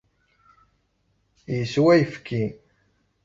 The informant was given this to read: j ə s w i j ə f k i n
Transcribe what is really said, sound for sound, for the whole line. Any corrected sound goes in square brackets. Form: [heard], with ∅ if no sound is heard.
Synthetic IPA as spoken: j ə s w [æ] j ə f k i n

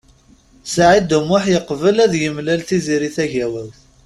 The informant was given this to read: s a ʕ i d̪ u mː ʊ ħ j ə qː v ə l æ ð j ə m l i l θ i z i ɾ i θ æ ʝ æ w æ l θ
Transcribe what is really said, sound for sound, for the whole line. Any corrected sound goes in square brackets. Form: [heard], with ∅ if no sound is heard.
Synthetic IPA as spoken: s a ʕ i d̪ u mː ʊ ħ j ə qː v ə l æ ð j ə m l [æ] l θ i z i ɾ i θ æ ʝ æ w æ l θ

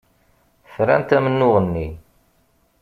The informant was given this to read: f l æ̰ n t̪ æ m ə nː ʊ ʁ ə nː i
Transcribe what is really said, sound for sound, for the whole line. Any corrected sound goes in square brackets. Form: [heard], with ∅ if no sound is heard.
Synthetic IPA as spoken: f [ɾ] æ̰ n t̪ æ m ə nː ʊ ʁ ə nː i

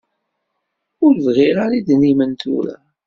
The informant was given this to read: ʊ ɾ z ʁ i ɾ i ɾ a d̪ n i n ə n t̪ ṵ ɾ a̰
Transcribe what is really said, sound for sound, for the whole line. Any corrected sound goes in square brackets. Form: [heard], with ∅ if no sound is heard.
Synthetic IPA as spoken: ʊ ɾ [v] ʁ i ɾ [a] ɾ [i] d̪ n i [m] ə n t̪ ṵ ɾ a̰

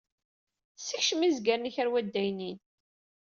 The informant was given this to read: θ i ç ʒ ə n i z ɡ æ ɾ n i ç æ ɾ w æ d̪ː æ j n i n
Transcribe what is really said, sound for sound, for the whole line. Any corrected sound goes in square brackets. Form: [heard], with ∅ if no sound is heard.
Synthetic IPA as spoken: [s] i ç [ʃ] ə [m] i z ɡ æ ɾ n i ç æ ɾ w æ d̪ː æ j n i n

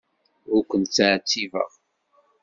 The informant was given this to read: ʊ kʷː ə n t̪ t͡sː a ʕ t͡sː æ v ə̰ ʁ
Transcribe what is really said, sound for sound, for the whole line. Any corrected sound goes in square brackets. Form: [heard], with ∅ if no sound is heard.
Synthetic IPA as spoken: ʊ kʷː ə n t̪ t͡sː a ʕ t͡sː [i] v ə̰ ʁ

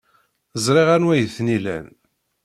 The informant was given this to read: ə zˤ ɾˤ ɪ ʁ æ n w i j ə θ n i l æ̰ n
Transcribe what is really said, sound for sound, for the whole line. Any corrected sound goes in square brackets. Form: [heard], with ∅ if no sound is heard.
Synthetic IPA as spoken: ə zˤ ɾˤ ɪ ʁ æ n w [æ] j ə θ n i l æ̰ n

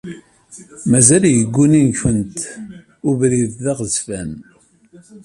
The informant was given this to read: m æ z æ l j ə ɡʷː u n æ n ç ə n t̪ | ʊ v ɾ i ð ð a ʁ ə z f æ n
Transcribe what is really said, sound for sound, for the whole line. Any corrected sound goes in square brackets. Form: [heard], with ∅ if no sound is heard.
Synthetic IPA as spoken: m æ z æ l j ə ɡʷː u n [i] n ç ə n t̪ | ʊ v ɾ i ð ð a ʁ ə z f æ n

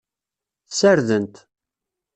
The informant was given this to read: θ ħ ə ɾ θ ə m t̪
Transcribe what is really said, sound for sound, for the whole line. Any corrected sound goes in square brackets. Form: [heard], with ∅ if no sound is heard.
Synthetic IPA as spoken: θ [s] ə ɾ [ð] ə [n] t̪

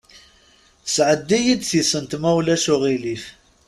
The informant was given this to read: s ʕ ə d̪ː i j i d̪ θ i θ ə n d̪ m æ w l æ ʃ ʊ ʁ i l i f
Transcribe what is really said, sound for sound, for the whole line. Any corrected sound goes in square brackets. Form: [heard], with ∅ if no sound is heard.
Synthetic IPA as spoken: s ʕ ə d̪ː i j i d̪ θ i [s] ə n [t̪] m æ w l æ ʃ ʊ ʁ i l i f

